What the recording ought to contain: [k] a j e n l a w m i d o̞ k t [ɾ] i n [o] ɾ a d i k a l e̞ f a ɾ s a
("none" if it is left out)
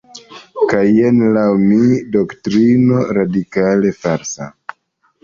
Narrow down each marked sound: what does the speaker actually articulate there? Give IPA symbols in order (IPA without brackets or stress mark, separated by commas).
k, ɾ, o